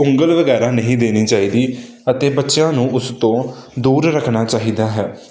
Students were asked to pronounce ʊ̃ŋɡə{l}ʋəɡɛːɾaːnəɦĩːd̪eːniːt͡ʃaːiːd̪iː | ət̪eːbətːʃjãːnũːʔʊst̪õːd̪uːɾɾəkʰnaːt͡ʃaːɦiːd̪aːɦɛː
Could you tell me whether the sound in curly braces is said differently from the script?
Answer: no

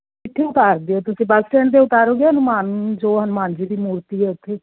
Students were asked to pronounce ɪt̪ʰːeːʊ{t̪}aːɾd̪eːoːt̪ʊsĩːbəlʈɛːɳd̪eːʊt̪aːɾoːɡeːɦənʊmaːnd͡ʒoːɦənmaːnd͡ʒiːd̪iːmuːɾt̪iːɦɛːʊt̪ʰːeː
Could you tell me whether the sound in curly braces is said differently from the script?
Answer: no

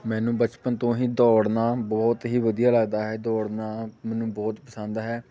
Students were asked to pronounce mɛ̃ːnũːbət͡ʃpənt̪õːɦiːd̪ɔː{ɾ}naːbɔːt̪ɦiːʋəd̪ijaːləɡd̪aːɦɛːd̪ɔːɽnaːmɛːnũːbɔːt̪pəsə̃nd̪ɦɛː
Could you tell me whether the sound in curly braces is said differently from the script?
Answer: yes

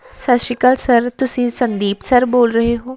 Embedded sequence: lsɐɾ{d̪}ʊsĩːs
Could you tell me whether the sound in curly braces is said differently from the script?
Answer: yes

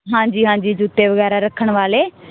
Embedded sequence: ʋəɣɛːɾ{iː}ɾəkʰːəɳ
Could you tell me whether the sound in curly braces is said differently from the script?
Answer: yes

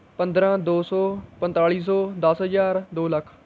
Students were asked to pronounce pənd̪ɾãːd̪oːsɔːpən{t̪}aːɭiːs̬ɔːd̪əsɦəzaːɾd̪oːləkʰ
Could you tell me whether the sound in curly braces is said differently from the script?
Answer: no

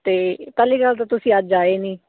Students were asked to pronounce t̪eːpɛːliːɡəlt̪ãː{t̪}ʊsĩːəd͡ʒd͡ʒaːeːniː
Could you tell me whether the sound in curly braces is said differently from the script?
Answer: no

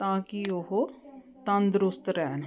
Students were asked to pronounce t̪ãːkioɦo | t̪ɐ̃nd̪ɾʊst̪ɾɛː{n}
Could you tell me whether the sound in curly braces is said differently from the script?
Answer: no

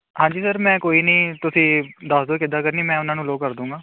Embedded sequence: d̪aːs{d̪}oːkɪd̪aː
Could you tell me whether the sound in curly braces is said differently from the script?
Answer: no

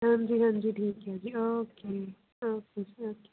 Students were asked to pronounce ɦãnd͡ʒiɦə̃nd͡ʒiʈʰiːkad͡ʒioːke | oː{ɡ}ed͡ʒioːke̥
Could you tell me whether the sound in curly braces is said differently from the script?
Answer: yes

